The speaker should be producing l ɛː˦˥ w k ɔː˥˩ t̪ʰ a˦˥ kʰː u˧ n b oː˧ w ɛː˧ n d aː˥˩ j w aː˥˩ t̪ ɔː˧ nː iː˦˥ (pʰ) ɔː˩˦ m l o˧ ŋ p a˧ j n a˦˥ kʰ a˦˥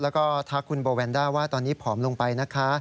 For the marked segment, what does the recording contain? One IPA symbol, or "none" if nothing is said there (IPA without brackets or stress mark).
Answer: pʰ